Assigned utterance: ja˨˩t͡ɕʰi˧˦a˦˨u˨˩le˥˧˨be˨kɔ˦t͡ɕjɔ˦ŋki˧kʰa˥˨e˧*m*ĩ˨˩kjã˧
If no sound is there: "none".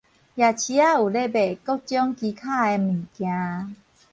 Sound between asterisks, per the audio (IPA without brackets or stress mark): m